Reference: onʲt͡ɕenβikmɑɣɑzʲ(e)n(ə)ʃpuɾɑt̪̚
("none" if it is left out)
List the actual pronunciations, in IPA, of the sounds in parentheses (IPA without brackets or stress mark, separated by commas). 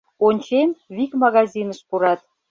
i, ə